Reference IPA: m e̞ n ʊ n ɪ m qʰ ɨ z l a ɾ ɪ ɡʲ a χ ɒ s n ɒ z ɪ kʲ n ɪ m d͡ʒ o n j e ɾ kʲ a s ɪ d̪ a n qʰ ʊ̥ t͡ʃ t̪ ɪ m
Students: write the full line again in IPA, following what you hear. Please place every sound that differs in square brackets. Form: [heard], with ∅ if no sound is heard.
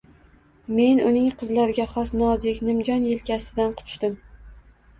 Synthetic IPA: m e̞ n ʊ n ɪ [ŋ] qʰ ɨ z l a ɾ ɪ ɡʲ a χ ɒ s n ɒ z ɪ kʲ n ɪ m d͡ʒ [ɒ] n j e [l] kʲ a s ɪ d̪ a n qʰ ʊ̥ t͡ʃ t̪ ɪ m